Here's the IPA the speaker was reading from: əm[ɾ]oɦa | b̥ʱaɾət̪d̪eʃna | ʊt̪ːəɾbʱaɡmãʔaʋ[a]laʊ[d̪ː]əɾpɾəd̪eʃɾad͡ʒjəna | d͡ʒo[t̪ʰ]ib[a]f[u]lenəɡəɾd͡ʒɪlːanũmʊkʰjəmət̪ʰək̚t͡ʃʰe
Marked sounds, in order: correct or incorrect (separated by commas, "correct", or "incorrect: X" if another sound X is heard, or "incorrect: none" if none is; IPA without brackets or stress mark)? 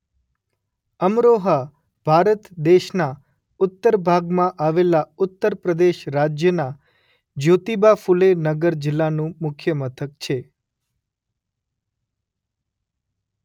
correct, incorrect: e, incorrect: t̪ː, incorrect: t̪, correct, correct